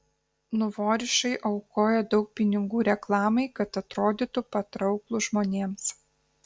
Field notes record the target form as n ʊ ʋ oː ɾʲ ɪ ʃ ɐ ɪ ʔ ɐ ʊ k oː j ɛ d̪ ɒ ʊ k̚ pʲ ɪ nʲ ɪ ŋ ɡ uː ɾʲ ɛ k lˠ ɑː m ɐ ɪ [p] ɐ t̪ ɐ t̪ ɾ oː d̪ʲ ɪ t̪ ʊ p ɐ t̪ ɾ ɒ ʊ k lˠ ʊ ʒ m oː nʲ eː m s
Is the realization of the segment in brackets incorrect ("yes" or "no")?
yes